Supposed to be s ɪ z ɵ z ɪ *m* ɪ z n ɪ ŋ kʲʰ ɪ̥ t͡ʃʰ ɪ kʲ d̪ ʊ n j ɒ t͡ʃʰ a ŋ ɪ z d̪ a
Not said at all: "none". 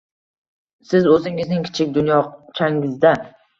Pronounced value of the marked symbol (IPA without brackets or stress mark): ŋ